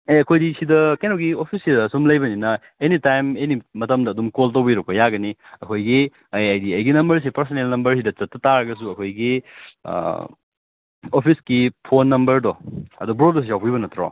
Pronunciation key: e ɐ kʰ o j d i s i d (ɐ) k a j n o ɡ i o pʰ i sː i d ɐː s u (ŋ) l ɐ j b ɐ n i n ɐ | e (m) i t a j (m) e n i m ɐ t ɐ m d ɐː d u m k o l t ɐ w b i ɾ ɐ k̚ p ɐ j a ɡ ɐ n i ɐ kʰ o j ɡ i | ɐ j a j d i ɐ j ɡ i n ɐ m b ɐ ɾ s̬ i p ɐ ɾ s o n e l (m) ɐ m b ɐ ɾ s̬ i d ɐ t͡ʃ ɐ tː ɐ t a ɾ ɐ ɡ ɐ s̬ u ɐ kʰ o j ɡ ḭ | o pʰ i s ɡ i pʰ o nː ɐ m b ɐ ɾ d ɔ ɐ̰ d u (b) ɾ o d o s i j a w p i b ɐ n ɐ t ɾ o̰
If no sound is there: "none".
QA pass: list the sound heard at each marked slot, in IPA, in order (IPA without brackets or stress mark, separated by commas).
ɐ, m, n, m, n, b